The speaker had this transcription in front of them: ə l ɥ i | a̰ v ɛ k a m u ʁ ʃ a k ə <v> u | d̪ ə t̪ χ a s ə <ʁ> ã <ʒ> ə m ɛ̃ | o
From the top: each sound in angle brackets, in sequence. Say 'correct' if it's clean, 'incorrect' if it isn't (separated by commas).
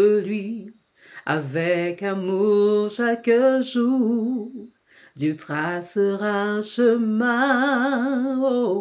incorrect, correct, incorrect